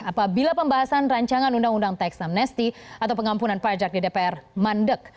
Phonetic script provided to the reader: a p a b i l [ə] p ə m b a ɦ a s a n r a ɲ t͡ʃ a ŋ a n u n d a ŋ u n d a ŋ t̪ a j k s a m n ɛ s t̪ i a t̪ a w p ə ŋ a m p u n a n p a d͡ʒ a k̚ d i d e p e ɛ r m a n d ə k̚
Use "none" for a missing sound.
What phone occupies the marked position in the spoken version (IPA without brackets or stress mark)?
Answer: a